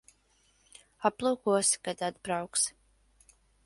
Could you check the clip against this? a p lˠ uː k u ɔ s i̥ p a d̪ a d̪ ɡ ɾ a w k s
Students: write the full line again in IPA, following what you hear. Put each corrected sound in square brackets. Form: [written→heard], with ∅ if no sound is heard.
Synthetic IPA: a p lˠ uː k u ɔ s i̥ [p→k] a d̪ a d̪ [ɡ→b] ɾ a w k s